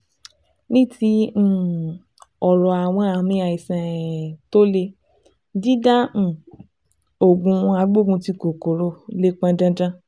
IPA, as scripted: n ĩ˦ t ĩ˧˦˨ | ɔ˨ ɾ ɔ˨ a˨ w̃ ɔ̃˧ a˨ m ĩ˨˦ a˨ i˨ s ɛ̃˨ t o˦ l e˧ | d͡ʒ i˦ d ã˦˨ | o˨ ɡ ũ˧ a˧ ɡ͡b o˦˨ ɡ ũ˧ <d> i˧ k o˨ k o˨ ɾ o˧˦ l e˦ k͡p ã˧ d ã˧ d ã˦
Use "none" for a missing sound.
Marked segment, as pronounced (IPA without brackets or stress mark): t